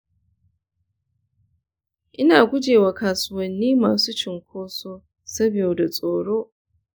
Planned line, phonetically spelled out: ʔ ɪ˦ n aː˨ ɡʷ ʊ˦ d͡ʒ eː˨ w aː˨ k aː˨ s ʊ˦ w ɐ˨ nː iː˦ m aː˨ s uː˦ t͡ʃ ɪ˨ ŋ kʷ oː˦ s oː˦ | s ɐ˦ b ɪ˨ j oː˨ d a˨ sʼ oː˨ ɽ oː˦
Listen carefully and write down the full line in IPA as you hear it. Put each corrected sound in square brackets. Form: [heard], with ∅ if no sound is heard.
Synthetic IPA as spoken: ʔ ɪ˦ n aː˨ ɡʷ ʊ˦ d͡ʒ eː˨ w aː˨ k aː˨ s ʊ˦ w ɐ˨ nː iː˦ m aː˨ s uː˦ t͡ʃ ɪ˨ ŋ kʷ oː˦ s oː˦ | s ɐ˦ b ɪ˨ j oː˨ d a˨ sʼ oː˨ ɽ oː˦